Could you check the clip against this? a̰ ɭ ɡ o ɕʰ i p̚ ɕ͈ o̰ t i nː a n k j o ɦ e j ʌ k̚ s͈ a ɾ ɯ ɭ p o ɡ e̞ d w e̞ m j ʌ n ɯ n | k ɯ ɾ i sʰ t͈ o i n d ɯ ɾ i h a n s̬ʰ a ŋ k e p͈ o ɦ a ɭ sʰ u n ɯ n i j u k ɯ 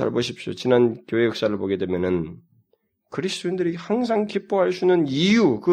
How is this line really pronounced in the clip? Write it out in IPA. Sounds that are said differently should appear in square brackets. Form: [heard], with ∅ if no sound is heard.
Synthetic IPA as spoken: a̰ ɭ [b] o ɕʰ i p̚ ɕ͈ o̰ [t͡ɕ] i [n] a n k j o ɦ e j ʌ k̚ s͈ a ɾ ɯ ɭ p o ɡ e̞ d w e̞ m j ʌ n ɯ n | k ɯ ɾ i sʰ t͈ o i n d ɯ ɾ i h a [ŋ] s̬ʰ a ŋ k [i] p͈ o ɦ a ɭ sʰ u n ɯ n i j u k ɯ